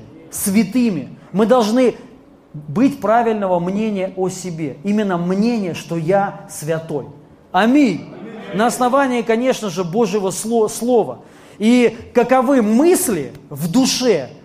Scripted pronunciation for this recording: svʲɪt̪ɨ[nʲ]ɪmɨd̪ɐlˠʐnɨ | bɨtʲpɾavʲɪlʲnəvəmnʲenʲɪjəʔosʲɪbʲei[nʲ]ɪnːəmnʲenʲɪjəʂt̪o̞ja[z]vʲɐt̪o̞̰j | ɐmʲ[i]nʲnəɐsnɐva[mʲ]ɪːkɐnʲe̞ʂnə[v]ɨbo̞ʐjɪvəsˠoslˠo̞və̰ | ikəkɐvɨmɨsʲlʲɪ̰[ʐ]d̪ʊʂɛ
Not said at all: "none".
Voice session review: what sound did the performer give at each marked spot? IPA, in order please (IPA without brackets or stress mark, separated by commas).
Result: mʲ, mʲ, s, i, nʲ, ʐ, v